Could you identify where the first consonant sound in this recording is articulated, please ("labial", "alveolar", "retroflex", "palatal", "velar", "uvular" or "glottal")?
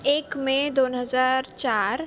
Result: velar